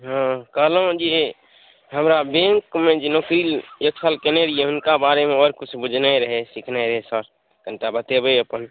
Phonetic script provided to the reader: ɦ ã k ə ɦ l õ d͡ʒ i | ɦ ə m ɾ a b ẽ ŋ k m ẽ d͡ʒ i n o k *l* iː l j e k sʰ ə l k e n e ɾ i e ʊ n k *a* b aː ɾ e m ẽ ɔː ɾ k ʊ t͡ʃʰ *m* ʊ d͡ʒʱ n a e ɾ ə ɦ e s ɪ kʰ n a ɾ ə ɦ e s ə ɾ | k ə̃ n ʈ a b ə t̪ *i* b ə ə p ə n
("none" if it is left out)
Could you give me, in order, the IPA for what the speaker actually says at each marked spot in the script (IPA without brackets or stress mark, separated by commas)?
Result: ɾ, a, b, e